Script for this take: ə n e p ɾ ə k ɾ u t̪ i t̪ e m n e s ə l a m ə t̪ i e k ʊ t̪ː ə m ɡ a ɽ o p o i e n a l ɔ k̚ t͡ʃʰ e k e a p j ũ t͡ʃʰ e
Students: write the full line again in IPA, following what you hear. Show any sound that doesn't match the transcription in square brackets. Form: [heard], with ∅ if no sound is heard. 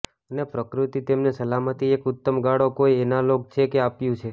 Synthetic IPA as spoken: ə n e p ɾ ə k ɾ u t̪ i t̪ e m n e s ə l a m ə t̪ i e k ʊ t̪ː ə m ɡ a ɽ o [k] o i e n a l [o] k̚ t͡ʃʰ e k e a p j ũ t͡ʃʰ e